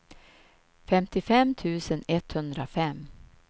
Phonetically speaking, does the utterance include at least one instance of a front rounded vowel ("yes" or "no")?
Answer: no